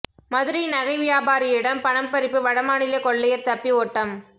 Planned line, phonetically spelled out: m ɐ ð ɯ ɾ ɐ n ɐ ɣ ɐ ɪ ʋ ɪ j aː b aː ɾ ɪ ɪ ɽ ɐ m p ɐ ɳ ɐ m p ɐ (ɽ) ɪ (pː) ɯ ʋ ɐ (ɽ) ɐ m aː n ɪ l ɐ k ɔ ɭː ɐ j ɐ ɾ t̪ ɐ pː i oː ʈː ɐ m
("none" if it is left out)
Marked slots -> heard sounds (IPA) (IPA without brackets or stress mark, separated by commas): ɾ, pː, ɽ